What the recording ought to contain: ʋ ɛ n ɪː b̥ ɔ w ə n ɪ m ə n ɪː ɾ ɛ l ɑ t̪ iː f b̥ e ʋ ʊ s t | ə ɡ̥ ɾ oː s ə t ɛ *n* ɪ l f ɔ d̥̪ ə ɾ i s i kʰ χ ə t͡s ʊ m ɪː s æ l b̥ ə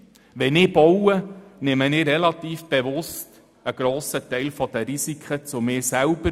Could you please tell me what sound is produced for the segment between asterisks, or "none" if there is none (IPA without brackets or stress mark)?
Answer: none